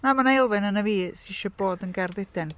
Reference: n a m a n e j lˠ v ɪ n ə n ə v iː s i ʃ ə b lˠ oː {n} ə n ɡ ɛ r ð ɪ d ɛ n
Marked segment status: incorrect: d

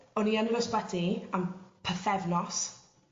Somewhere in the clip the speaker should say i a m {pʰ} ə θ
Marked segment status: correct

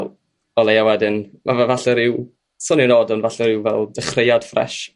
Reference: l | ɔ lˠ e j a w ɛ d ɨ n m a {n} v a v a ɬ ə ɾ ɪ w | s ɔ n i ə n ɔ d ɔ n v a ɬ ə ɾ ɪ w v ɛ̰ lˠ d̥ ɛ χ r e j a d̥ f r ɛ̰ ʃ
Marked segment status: incorrect: none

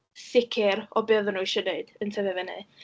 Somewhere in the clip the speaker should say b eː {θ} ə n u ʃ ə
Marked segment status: incorrect: ð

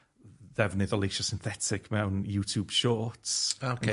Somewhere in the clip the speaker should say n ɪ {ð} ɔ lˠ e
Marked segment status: correct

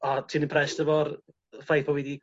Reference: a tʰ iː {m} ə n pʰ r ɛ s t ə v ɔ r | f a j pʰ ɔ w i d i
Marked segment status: incorrect: n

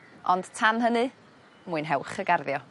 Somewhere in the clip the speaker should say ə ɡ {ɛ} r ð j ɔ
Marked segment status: incorrect: a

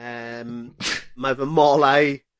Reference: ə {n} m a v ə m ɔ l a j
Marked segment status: incorrect: m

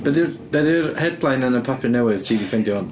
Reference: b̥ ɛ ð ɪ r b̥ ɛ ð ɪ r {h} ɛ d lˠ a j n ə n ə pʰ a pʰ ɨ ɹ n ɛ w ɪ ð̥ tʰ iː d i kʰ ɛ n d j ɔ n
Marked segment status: correct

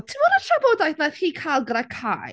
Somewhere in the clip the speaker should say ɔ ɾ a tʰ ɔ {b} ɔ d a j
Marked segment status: correct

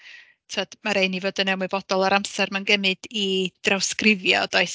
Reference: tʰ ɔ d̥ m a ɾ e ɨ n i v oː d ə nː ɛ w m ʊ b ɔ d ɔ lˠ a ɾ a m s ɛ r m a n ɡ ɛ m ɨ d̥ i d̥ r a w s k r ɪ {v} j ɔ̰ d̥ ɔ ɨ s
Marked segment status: correct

